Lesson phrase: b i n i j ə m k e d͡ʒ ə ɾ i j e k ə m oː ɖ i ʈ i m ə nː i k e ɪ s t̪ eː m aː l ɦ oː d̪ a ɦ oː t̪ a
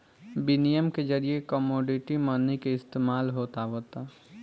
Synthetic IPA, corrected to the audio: b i n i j ə m k e d͡ʒ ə ɾ i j e k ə m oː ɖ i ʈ i m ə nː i k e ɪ s t̪ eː m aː l ɦ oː t̪ a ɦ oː t̪ a